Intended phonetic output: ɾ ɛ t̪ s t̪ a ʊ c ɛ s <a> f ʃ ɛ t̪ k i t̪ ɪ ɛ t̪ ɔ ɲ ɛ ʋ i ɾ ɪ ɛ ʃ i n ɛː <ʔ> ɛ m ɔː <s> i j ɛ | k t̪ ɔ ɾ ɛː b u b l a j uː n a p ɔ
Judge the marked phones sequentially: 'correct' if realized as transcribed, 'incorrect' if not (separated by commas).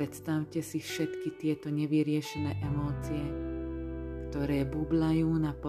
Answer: incorrect, correct, incorrect